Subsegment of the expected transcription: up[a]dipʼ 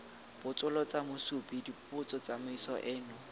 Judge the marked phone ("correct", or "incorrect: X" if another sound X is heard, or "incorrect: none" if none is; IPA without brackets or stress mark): incorrect: i